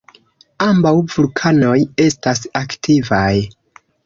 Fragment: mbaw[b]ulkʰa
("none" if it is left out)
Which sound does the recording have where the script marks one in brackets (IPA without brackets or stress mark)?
v